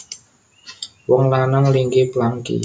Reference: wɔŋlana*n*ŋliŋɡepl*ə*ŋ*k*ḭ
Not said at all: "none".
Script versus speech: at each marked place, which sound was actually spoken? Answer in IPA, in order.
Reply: none, a, k

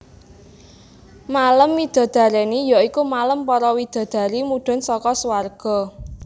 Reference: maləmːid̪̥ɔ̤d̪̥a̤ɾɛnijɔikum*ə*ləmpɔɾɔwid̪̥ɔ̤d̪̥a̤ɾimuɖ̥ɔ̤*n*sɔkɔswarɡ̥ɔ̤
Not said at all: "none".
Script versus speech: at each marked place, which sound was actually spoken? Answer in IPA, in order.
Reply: a, n

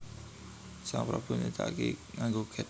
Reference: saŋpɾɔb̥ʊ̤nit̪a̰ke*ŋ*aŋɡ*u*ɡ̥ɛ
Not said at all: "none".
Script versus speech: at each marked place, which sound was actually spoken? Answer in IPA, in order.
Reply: ŋ, o

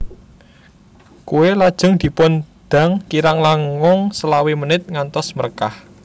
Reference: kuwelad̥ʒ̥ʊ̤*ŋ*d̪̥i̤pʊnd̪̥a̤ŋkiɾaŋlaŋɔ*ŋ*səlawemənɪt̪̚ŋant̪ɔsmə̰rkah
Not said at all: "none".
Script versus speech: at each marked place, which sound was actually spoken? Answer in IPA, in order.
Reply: ŋ, ŋ

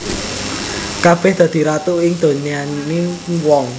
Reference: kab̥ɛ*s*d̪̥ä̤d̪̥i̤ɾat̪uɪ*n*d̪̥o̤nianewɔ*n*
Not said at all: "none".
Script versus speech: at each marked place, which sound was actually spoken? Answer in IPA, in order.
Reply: h, ŋ, ŋ

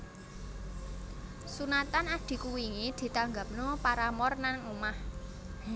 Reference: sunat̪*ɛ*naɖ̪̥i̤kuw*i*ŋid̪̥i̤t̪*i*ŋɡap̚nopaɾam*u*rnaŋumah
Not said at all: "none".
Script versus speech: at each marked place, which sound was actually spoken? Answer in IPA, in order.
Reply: a, i, a, ɔ

